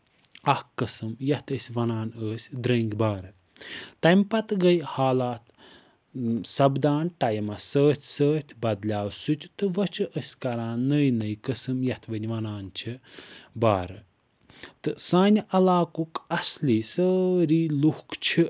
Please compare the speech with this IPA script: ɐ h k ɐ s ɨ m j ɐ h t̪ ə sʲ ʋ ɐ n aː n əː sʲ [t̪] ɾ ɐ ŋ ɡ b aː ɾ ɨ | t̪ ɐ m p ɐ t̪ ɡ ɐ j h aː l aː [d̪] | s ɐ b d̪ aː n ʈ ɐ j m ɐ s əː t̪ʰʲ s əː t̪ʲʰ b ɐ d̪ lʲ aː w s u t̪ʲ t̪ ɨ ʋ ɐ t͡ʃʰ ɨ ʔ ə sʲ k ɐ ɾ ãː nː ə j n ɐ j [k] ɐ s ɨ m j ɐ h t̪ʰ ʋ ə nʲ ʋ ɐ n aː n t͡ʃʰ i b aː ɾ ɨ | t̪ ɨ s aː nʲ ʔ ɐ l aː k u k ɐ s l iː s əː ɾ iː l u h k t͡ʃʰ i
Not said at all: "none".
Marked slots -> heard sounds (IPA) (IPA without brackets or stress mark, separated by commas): d̪, t̪, k